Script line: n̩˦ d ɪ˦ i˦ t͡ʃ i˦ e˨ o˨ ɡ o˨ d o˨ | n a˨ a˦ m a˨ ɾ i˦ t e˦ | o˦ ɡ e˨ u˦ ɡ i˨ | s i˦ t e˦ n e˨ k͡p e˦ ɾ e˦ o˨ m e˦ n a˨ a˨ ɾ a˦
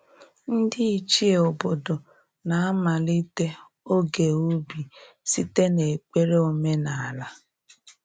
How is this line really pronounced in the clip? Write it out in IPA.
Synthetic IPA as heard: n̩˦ d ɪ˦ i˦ t͡ʃ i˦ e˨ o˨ b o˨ d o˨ | n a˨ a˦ m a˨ l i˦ t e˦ | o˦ ɡ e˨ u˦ b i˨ | s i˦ t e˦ n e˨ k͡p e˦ ɾ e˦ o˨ m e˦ n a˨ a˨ l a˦